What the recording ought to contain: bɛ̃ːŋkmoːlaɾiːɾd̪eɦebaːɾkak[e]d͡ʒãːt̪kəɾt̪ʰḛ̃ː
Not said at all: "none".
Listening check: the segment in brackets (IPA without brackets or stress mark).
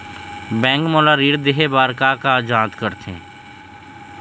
a